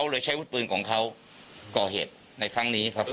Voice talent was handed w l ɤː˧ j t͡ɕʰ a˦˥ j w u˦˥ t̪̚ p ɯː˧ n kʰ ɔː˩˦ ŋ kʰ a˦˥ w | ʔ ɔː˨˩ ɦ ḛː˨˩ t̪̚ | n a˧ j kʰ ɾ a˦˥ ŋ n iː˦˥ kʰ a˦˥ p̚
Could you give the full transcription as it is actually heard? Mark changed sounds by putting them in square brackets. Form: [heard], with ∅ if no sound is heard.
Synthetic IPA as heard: w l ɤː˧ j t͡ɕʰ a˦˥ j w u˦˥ t̪̚ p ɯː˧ n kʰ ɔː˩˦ ŋ kʰ a˦˥ w | [k] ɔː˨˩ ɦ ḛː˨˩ t̪̚ | n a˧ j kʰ ɾ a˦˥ ŋ n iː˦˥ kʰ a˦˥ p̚